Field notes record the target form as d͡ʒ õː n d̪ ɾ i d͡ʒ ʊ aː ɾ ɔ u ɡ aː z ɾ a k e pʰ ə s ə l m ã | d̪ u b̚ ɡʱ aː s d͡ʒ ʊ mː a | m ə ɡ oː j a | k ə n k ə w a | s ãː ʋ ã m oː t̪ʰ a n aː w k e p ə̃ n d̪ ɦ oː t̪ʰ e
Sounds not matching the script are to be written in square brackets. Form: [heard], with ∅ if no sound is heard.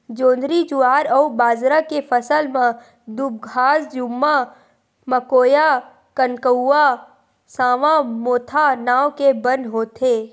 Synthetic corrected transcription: d͡ʒ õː n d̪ ɾ i d͡ʒ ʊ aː ɾ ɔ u [b] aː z ɾ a k e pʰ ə s ə l m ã | d̪ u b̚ ɡʱ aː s d͡ʒ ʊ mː a | m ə [k] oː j a | k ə n k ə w a | s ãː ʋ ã m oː t̪ʰ a n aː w k e [b] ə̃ n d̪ ɦ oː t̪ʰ e